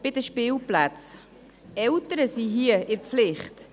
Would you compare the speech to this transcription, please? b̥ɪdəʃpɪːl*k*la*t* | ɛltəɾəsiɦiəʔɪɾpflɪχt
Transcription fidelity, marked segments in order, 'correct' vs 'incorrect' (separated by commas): incorrect, incorrect